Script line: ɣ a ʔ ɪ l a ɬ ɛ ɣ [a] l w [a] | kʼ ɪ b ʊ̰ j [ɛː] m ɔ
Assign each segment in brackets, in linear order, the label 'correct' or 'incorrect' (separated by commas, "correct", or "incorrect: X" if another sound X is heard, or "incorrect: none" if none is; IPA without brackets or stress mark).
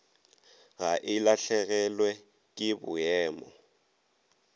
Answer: incorrect: ɛ, incorrect: ɛ, correct